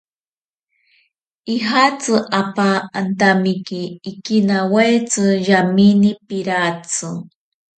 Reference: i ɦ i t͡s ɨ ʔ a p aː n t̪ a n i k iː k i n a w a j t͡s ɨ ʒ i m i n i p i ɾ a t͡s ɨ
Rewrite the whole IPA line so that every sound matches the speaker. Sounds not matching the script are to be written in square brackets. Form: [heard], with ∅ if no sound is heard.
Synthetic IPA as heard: i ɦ [a] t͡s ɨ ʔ a p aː n t̪ a [m] i k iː k i n a w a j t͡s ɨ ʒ [a] m i n i p i ɾ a t͡s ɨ